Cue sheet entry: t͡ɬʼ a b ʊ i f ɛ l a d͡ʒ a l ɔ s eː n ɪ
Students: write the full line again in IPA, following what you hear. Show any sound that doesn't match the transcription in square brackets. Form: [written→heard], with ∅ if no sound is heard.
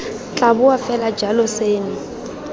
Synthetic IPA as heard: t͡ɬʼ a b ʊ [i→a] f ɛ l a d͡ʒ a l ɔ s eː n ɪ